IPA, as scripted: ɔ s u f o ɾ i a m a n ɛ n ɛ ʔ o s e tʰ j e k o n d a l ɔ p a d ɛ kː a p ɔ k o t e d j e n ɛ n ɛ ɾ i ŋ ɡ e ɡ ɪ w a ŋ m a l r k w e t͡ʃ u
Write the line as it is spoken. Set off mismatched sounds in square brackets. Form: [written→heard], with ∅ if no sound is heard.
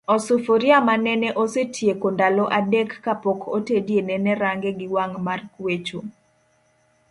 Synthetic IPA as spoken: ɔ s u f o ɾ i a m a n ɛ n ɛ ʔ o s e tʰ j e k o n d a l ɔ [p→ʔ] a d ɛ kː a p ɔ k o t e d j e n ɛ n ɛ ɾ [i→a] ŋ ɡ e ɡ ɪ w a ŋ m a [l→∅] r k w e t͡ʃ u